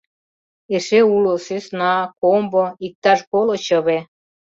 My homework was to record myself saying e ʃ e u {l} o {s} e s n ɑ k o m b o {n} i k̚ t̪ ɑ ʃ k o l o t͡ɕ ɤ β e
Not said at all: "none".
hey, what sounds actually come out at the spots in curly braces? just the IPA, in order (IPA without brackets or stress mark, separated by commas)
l, s, none